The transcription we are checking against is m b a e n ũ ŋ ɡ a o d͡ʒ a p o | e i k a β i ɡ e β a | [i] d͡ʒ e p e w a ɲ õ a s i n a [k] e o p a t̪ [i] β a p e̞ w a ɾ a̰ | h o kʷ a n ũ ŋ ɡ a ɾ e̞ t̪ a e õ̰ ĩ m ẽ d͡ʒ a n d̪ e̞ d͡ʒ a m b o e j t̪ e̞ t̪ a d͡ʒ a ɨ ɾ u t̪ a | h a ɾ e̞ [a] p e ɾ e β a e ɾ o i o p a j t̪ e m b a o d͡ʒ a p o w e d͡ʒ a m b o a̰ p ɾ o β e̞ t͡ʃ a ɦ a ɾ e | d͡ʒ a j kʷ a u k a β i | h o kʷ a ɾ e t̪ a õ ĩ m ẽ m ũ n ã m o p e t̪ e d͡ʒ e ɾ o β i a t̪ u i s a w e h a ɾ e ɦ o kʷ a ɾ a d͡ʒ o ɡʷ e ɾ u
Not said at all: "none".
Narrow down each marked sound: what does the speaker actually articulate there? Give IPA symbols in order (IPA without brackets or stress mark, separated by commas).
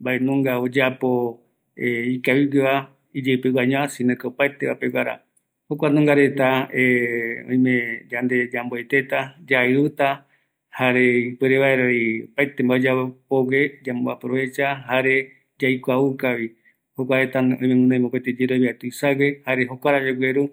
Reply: i, k, e, i